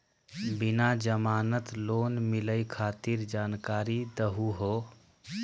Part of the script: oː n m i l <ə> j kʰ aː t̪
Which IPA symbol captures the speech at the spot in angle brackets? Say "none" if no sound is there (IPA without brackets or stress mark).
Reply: ə